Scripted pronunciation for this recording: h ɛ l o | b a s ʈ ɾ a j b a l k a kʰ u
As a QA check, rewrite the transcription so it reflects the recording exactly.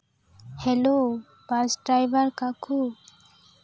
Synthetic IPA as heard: h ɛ l o | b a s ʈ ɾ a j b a ɾ k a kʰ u